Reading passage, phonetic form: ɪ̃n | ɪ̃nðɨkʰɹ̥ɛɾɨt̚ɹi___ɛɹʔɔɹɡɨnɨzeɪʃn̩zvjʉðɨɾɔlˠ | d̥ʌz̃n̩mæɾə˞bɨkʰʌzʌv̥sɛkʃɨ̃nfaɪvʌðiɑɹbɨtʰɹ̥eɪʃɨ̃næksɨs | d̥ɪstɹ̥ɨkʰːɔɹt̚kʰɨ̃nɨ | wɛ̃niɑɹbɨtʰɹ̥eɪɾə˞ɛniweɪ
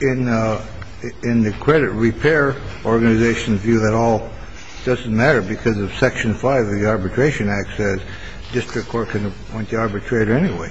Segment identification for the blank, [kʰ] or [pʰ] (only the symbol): pʰ